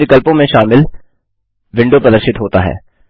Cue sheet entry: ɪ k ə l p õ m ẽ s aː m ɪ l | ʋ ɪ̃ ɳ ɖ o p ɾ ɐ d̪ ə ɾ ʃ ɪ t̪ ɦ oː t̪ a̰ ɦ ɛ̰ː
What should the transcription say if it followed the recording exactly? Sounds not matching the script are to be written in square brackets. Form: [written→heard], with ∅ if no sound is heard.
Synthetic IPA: ɪ k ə l p õ m ẽ [s→ʃ] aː m ɪ l | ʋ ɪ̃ ɳ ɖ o p ɾ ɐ d̪ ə ɾ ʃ ɪ t̪ ɦ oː t̪ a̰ ɦ ɛ̰ː